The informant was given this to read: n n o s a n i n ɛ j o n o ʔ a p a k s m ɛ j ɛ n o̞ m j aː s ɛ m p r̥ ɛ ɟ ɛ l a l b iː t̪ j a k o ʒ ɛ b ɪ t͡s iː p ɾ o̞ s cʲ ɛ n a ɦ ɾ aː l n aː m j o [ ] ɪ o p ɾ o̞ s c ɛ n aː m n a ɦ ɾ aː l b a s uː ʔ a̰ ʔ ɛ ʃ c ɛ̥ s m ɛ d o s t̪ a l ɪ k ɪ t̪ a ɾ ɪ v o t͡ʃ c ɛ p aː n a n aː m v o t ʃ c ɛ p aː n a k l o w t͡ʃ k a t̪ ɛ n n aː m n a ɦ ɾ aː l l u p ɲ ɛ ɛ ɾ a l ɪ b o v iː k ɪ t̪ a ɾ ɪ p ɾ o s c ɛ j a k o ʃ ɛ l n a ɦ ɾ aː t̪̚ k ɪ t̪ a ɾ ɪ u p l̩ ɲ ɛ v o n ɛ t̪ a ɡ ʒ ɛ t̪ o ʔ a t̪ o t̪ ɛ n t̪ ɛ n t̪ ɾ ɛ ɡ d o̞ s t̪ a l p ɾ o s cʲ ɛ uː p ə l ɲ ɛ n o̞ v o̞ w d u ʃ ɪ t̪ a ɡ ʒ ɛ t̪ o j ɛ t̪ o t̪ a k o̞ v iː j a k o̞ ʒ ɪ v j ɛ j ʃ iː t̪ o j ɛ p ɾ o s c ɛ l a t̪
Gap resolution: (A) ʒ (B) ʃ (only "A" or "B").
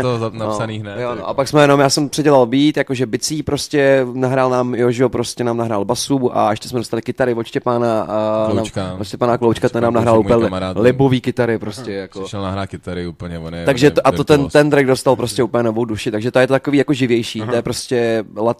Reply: A